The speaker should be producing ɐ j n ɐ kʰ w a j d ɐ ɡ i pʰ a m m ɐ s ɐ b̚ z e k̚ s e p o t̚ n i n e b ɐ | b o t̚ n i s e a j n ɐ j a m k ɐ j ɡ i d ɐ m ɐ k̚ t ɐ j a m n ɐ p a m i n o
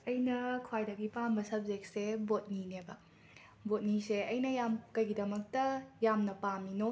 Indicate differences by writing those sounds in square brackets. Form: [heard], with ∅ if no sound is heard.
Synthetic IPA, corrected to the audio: ɐ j n ɐ kʰ w a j d ɐ ɡ i [p] a m [b] ɐ s ɐ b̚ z e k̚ s e [b] o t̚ n i n e b ɐ | b o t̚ n i s e [ɐ] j n ɐ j a m k ɐ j ɡ i d ɐ m ɐ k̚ t ɐ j a m n ɐ p a m i n o

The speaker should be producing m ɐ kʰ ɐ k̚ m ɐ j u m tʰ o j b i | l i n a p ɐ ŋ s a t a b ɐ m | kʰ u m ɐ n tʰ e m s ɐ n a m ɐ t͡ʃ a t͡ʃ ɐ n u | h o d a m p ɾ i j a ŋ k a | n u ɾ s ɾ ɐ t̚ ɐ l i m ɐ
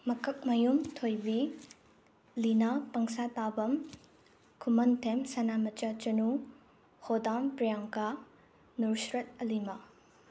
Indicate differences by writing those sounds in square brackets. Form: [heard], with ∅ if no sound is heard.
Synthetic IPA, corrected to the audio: m ɐ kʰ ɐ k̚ m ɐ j u m tʰ o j b i | l i n a p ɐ ŋ s a t a b ɐ m | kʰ u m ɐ n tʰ e m s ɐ n a m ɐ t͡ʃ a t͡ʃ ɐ n u | h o d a m p ɾ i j a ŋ k a | n u ɾ s ɾ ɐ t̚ ɐ l i m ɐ

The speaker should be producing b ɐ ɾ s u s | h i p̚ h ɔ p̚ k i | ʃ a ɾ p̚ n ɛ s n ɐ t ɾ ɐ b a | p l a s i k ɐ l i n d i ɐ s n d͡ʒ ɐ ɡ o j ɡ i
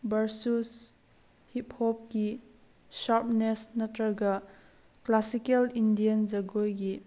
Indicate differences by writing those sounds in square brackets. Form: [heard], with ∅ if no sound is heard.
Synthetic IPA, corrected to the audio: b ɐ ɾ s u s | h i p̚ h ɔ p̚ k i | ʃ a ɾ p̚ n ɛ s n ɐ t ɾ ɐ [ɡ] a | [k] l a s i k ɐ l i n d i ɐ [∅] n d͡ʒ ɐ ɡ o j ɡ i

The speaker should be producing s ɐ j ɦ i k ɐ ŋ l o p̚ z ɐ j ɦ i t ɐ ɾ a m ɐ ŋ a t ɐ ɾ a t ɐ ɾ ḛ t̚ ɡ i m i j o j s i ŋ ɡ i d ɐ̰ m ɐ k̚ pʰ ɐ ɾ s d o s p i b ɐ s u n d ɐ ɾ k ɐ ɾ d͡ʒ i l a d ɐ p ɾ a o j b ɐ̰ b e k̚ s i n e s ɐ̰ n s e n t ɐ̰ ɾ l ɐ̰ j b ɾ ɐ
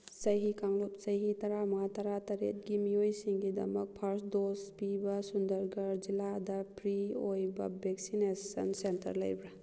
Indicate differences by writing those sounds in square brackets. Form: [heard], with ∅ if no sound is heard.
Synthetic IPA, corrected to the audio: s ɐ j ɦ i k [a] ŋ l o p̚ [s] ɐ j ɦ i t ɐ ɾ a m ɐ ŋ a t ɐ ɾ a t ɐ ɾ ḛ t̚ ɡ i m i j o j s i ŋ ɡ i d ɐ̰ m ɐ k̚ pʰ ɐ ɾ s d o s p i b ɐ s u n d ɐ ɾ [ɡ] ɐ ɾ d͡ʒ i l a d ɐ p ɾ [i] o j b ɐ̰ b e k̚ s i n e s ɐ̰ n s e n t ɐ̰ ɾ l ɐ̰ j b ɾ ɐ

